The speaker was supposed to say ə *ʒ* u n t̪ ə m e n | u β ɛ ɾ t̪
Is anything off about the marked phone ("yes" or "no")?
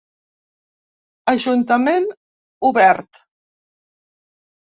no